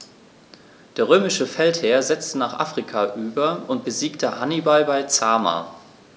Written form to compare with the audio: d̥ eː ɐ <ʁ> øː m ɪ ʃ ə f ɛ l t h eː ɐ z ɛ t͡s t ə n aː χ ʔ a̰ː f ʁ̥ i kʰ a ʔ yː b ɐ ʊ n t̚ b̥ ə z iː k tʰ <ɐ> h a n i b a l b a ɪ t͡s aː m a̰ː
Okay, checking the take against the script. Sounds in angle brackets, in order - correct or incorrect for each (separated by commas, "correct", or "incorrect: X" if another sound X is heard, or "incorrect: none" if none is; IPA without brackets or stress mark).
correct, incorrect: ə